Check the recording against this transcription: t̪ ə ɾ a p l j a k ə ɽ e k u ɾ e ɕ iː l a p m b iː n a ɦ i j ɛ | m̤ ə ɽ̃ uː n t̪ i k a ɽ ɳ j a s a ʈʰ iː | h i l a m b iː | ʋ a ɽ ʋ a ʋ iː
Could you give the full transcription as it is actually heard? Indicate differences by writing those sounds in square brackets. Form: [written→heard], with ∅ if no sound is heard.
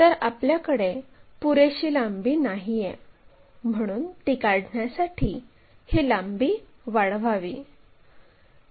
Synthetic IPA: t̪ ə ɾ a p l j a k ə ɽ e [k→p] u ɾ e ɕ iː l a [p→∅] m b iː n a ɦ i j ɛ | m̤ ə ɽ̃ uː n t̪ i k a ɽ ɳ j a s a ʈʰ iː | h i l a m b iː | ʋ a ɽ ʋ a ʋ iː